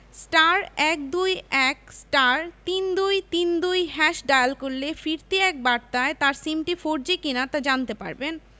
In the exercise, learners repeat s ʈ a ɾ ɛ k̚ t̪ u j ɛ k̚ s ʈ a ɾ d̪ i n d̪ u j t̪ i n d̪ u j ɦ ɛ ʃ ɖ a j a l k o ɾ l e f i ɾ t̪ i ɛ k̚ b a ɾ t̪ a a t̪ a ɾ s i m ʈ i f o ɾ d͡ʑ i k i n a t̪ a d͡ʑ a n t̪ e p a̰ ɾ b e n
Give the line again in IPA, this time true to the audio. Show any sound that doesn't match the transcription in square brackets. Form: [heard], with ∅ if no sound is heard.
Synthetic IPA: s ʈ a ɾ ɛ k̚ [d̪] u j ɛ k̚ s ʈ a ɾ [t̪] i n d̪ u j t̪ i n d̪ u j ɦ ɛ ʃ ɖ a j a l k o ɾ l e f i ɾ t̪ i ɛ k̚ b a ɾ t̪ a [e] t̪ a ɾ s i m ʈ i f o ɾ d͡ʑ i k i n a t̪ a d͡ʑ a n t̪ e p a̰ ɾ b e n